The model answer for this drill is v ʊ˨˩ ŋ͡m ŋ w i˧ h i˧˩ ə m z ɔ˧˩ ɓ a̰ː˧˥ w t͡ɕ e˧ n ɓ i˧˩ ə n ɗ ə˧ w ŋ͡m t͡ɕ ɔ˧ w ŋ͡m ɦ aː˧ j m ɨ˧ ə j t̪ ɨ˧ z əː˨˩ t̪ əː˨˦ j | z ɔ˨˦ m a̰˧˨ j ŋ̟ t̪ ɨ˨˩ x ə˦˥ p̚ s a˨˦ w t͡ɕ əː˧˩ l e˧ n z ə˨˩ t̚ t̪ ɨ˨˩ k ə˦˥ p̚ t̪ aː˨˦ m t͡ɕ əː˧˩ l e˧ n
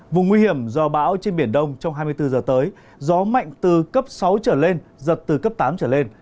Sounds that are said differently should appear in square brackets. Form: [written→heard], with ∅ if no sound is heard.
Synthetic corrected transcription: v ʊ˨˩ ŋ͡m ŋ w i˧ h i˧˩ ə m z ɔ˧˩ ɓ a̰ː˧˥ w t͡ɕ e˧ n ɓ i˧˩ ə n ɗ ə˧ w ŋ͡m t͡ɕ ɔ˧ w ŋ͡m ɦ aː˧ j m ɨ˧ ə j t̪ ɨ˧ z əː˨˩ t̪ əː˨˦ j | z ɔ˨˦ m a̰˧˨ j ŋ̟ t̪ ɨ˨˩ [x→k] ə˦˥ p̚ s a˨˦ w t͡ɕ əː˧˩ l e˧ n z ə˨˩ t̚ t̪ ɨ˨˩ k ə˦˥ p̚ t̪ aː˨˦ m t͡ɕ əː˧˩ l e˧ n